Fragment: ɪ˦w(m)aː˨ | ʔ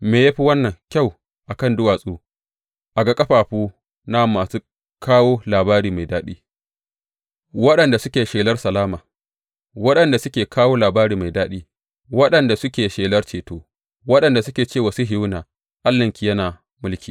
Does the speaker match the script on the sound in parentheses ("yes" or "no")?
no